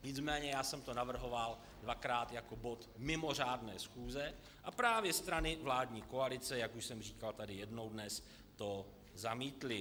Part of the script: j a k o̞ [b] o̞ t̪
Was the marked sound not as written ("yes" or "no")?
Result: no